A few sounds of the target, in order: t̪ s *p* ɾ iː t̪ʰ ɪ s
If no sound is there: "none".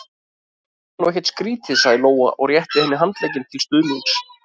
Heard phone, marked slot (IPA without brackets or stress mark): k